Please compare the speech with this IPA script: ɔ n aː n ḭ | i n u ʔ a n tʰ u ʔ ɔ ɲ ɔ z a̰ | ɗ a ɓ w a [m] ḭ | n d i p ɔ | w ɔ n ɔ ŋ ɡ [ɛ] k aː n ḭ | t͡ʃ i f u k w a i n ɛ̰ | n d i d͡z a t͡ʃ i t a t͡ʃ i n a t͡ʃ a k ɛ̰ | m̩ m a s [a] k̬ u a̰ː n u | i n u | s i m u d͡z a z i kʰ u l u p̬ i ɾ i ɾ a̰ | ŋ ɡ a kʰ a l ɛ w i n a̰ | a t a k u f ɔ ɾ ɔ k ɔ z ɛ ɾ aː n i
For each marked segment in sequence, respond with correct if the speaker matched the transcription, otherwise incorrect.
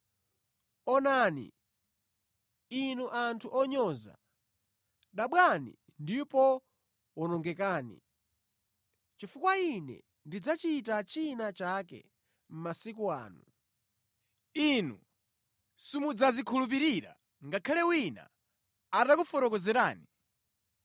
incorrect, correct, incorrect

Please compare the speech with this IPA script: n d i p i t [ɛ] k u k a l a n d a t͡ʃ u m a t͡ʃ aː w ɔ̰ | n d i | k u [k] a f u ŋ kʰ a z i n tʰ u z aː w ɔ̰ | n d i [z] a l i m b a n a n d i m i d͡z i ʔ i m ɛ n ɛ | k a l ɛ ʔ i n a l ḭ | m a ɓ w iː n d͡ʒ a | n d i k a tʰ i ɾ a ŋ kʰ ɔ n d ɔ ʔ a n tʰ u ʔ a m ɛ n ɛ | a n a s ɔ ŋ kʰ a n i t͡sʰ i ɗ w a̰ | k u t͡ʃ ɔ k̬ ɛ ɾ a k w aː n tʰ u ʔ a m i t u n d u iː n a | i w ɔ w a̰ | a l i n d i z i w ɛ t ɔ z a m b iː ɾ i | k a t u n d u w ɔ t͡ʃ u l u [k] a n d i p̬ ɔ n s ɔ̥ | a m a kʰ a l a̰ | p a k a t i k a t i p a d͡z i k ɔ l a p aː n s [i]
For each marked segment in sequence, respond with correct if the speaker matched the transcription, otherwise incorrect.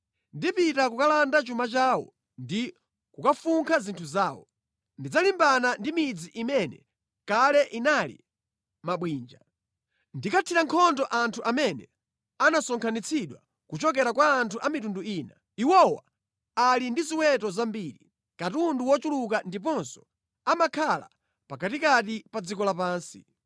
incorrect, correct, incorrect, correct, correct

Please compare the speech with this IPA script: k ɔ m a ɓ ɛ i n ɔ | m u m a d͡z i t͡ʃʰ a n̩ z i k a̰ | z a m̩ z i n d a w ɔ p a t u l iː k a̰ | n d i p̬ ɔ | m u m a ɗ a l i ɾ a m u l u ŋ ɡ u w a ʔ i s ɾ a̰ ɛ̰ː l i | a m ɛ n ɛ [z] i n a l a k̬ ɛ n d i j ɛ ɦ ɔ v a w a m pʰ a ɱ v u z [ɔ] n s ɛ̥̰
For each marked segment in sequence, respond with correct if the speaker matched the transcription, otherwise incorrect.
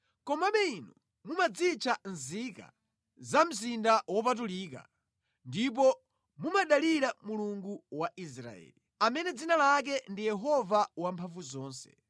incorrect, incorrect

